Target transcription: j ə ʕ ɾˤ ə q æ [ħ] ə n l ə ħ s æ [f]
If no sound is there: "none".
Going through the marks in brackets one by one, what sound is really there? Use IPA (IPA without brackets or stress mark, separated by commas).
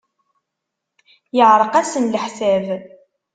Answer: s, v